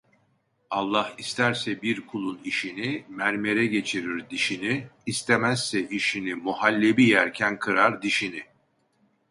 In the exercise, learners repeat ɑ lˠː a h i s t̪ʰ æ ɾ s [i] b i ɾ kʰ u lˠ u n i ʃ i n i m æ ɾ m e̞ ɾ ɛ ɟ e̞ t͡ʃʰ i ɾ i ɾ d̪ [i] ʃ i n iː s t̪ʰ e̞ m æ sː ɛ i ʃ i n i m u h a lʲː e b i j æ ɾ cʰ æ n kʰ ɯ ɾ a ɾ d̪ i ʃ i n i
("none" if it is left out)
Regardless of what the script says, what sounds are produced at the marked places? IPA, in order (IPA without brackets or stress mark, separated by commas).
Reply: ɛ, i